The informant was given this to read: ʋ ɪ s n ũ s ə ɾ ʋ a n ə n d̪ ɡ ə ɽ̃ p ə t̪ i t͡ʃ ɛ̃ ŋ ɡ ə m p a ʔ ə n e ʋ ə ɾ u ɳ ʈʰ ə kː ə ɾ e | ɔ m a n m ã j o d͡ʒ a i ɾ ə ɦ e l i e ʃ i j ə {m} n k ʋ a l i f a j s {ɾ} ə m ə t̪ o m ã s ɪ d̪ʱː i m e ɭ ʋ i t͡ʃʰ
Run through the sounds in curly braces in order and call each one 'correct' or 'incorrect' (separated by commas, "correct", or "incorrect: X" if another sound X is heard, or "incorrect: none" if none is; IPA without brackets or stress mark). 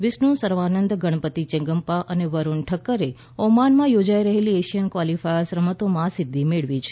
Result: incorrect: none, correct